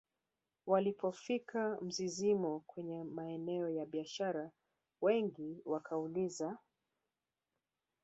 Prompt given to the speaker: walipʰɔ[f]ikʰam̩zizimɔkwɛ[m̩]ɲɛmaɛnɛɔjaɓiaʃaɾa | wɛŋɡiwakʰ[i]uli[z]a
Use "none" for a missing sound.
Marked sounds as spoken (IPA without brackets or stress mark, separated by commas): f, none, a, z